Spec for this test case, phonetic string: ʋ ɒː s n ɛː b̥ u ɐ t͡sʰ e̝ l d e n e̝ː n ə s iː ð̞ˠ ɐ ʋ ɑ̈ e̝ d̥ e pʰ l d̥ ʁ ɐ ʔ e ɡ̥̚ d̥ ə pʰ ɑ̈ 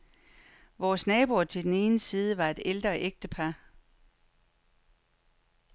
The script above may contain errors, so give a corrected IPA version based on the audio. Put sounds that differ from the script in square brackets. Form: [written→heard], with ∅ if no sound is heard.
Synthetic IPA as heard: ʋ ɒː s n ɛː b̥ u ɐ t͡sʰ e̝ l d e n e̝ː n ə s iː ð̞ˠ [ɐ→ə] ʋ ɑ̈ e̝ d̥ e [pʰ→∅] l d̥ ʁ ɐ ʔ e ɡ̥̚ d̥ ə pʰ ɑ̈